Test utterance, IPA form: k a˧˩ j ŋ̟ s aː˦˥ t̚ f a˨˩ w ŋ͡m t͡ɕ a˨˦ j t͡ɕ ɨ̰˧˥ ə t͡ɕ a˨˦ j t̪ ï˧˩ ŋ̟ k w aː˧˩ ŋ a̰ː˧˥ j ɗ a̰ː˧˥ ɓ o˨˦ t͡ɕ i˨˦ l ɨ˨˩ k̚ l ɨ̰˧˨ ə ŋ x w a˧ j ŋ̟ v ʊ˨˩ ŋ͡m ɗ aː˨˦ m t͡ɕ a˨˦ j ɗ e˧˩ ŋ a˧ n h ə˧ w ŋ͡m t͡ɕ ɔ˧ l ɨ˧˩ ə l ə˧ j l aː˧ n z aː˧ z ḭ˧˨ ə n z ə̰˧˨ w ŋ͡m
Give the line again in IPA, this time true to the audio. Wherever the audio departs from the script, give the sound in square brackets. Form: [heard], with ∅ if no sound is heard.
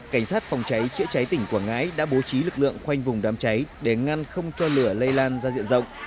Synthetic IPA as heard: k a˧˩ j ŋ̟ s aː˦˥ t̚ f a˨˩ w ŋ͡m t͡ɕ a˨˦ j t͡ɕ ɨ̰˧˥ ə t͡ɕ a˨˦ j t̪ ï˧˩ ŋ̟ k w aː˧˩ ŋ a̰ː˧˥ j ɗ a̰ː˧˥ ɓ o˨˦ t͡ɕ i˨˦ l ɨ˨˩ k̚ l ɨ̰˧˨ ə ŋ x w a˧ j ŋ̟ v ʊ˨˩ ŋ͡m ɗ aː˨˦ m t͡ɕ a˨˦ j ɗ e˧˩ ŋ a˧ n [x] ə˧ w ŋ͡m t͡ɕ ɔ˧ l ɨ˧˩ ə l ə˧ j l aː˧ n z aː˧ z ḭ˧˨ ə n z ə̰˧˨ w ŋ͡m